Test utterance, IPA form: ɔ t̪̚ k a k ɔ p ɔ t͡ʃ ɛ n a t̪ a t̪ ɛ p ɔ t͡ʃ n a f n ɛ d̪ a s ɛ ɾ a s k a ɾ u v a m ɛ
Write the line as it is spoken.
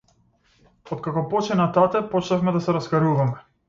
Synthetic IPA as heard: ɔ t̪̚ k a k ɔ p ɔ t͡ʃ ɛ n a t̪ a t̪ ɛ p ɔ t͡ʃ n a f m ɛ d̪ a s ɛ ɾ a s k a ɾ u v a m ɛ